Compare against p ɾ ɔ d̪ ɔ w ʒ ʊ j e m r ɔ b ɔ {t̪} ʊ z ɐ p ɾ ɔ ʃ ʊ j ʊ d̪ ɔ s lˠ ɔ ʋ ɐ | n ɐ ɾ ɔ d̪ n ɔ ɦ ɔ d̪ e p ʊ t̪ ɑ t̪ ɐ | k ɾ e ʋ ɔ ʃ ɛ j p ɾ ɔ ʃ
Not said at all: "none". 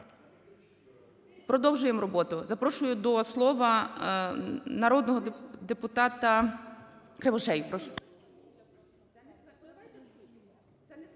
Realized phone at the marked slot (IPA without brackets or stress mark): t̪